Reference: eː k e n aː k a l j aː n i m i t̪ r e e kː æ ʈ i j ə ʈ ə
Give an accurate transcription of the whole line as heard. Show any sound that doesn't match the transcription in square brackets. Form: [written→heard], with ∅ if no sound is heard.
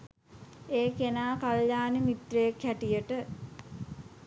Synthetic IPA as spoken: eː k e n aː k a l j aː n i m i t̪ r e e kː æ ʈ i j ə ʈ ə